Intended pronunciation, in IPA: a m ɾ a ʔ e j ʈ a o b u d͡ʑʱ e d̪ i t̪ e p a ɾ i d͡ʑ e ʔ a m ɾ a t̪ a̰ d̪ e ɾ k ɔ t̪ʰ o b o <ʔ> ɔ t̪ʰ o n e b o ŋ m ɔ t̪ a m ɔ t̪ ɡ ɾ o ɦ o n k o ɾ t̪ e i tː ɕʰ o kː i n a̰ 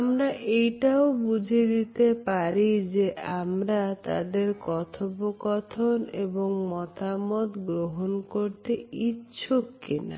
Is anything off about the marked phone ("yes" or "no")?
yes